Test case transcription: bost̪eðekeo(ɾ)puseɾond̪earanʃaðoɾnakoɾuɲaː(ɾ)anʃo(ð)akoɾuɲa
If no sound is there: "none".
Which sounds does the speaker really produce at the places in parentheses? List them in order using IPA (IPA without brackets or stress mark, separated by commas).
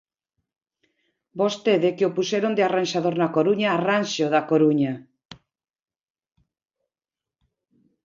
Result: none, r, ð